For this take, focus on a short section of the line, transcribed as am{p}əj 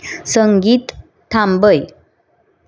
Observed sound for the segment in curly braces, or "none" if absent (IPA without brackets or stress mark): b